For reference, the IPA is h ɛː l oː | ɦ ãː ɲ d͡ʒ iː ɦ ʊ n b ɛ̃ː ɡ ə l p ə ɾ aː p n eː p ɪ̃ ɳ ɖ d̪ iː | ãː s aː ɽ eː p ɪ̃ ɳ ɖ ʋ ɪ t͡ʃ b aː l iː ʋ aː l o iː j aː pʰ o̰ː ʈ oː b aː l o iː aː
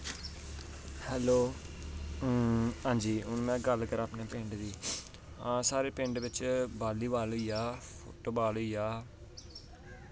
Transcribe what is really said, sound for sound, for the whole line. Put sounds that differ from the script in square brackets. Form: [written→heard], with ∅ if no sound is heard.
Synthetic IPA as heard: h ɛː l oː | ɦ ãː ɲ d͡ʒ iː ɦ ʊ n [b→m] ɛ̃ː ɡ ə l [p→k] ə ɾ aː p n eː p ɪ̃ ɳ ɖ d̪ iː | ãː s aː [ɽ→ɾ] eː p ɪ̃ ɳ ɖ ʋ ɪ t͡ʃ b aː l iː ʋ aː l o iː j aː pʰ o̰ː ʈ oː b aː l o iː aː